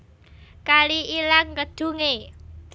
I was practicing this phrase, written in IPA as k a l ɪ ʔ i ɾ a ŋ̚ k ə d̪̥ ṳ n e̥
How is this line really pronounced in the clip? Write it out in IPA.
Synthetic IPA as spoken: k a l i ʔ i l a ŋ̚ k ə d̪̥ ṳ ŋ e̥